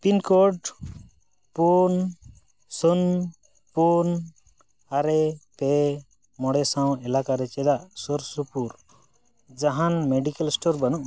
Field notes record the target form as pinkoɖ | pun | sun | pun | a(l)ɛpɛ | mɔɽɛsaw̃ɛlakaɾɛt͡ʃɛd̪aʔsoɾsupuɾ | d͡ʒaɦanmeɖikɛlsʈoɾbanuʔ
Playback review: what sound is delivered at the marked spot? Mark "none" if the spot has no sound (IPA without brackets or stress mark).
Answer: ɾ